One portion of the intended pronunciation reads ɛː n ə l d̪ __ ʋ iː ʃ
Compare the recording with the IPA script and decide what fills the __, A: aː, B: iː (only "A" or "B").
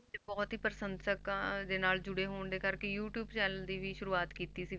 B